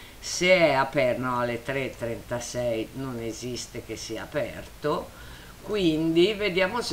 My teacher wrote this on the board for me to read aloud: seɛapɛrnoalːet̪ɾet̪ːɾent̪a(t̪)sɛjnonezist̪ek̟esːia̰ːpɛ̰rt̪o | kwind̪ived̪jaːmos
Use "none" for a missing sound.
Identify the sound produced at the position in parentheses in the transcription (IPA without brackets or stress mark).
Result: none